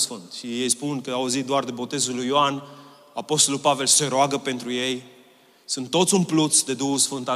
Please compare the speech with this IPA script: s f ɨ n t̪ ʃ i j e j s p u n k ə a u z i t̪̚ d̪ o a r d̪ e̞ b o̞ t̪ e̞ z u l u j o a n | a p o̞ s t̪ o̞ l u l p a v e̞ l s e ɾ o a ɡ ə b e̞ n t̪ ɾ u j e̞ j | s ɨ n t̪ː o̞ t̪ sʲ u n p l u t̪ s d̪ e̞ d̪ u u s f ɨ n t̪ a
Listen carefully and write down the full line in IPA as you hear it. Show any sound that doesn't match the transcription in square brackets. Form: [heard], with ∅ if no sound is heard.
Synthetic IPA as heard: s f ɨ n t̪ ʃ i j e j s p u n k ə a u z i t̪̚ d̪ o a r d̪ e̞ b o̞ t̪ e̞ z u l u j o a n | a p o̞ s t̪ o̞ l u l p a v e̞ l s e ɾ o a ɡ ə [p] e̞ n t̪ ɾ u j e̞ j | s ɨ n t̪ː o̞ t̪ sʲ u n p l u t̪ s d̪ e̞ d̪ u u s f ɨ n t̪ a